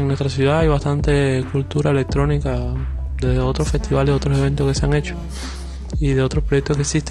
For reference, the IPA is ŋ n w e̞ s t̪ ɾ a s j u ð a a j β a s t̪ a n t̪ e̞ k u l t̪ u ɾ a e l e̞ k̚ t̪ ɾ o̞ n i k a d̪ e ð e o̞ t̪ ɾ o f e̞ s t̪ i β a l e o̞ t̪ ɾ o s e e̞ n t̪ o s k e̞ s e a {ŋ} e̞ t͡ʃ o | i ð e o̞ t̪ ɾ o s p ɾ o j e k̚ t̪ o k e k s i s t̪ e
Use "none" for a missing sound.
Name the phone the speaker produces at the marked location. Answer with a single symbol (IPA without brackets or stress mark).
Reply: ŋ